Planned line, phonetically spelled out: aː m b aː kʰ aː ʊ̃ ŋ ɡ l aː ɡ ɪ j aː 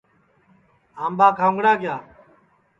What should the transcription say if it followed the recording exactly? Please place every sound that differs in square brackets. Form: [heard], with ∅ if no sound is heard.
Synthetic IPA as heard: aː m b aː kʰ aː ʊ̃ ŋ ɡ [ɽ] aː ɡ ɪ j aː

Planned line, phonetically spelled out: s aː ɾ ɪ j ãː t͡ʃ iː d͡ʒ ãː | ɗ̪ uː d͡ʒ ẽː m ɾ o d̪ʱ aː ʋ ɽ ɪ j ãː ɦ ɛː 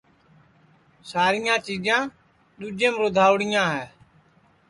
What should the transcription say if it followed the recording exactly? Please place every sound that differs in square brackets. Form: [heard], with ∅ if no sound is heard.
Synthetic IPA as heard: s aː ɾ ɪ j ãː t͡ʃ iː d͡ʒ ãː | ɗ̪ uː d͡ʒ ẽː m ɾ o d̪ʱ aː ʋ ɽ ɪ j ãː ɦ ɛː

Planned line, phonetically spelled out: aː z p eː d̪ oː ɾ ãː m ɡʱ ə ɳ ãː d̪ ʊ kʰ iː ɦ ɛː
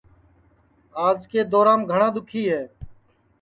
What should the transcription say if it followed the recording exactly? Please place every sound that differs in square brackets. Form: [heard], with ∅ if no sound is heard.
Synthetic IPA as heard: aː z [k] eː d̪ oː ɾ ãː m ɡʱ ə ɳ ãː d̪ ʊ kʰ iː ɦ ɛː

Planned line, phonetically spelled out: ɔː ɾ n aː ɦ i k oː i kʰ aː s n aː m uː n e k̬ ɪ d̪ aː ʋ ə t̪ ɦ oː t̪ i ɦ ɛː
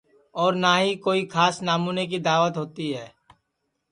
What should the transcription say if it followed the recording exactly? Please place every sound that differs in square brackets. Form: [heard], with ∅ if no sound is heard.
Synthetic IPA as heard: ɔː ɾ n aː ɦ i k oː i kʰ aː s n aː m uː n e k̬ [i] d̪ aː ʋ ə t̪ ɦ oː t̪ i ɦ ɛː

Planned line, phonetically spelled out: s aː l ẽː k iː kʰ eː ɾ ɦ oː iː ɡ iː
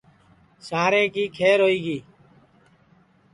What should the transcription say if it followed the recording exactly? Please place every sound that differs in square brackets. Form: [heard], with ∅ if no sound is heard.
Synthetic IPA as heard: s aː [ɾ] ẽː k iː kʰ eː ɾ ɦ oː iː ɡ iː

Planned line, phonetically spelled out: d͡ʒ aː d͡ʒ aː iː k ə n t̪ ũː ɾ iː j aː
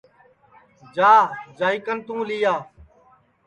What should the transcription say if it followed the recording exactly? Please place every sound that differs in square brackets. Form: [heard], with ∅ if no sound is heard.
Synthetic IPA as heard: d͡ʒ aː d͡ʒ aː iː k ə n t̪ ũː [l] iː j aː

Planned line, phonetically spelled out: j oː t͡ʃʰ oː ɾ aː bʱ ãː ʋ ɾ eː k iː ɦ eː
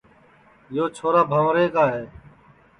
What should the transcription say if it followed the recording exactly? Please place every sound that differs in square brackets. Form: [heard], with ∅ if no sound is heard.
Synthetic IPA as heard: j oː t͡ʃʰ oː ɾ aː bʱ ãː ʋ ɾ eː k [aː] ɦ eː

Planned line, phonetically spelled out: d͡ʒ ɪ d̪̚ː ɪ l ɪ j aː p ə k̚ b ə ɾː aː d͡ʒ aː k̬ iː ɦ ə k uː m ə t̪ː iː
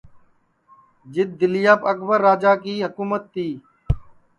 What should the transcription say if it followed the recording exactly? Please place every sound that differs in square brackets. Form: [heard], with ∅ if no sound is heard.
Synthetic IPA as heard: d͡ʒ ɪ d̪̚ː ɪ l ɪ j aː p ə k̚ b ə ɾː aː d͡ʒ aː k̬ iː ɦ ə k uː m ə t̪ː iː

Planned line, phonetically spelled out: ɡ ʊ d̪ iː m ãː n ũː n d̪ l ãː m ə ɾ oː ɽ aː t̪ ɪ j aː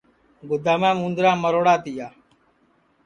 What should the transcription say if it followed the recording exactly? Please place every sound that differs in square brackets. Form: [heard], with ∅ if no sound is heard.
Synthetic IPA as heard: ɡ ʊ d̪ [aː] m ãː [m] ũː n d̪ [ɾ] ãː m ə ɾ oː ɽ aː t̪ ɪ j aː

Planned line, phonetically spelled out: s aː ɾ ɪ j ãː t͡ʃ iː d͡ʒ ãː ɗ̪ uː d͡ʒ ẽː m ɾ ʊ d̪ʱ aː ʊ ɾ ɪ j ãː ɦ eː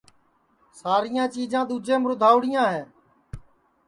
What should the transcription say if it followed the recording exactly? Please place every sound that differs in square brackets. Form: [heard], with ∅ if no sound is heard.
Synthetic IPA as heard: s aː ɾ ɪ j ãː t͡ʃ iː d͡ʒ ãː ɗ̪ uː d͡ʒ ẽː m ɾ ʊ d̪ʱ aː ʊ [ɽ] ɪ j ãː ɦ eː

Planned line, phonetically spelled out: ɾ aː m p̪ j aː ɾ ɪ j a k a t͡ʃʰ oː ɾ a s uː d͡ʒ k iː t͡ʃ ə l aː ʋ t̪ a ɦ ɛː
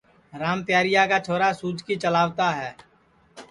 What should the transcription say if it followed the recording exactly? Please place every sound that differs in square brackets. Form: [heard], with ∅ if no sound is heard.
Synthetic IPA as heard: ɾ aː m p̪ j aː ɾ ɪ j a k a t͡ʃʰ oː ɾ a s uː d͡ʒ k [i] t͡ʃ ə l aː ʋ t̪ a ɦ ɛː

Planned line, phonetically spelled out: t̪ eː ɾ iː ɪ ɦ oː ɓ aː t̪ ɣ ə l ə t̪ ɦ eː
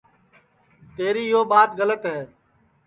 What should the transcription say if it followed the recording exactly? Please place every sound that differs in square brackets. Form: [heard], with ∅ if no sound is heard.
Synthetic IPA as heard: t̪ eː ɾ iː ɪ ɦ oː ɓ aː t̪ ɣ ə l ə t̪ ɦ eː

